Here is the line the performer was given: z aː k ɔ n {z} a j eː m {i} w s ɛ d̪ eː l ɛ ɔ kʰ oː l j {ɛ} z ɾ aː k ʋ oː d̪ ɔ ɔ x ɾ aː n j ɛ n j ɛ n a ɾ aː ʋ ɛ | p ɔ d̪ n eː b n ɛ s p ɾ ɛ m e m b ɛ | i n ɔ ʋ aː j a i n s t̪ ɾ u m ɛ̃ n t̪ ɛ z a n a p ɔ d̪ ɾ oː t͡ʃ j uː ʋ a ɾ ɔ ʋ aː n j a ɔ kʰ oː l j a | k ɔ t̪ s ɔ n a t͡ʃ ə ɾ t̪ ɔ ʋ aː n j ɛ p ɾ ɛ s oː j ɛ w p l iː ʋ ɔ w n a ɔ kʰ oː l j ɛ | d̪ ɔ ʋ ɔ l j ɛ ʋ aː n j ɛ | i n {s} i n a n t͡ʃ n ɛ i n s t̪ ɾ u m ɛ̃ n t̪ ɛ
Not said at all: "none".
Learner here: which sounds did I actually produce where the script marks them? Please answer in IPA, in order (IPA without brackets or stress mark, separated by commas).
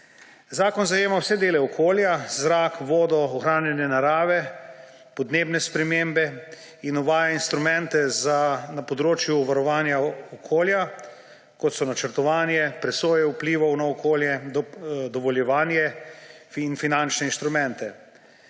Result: z, a, a, f